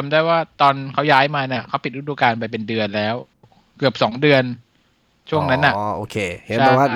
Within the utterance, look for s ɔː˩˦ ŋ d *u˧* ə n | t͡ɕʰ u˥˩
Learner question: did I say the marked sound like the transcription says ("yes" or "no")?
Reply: no